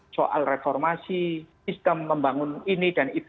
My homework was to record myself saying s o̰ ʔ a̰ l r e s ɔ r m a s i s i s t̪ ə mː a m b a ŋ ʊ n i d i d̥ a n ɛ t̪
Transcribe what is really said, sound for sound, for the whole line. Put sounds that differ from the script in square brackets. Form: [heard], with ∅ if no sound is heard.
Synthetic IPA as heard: s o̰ ʔ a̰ l r e [f] ɔ r m a s i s i s t̪ ə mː [ə] m b a ŋ ʊ n i [n] i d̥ a n [i] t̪